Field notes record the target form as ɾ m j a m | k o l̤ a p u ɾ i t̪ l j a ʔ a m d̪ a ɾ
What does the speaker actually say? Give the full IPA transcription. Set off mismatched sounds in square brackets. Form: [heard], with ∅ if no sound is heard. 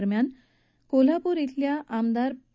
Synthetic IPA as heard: ɾ m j a [n] | k o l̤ a p u ɾ i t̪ l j a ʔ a m d̪ a ɾ